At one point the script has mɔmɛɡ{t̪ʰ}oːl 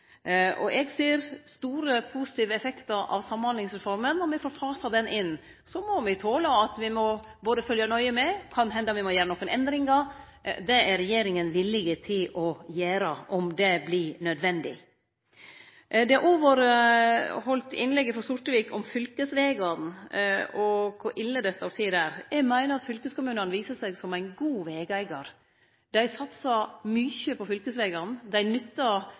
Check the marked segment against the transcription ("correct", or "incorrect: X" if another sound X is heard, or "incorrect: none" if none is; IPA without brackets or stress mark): correct